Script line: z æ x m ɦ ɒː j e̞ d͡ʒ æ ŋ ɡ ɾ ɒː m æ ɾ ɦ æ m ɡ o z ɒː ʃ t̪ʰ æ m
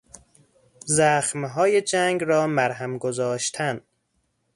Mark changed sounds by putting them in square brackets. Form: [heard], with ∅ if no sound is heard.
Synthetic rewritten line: z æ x m ɦ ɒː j e̞ d͡ʒ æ ŋ ɡ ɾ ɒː m æ ɾ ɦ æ m ɡ o z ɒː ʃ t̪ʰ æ [n]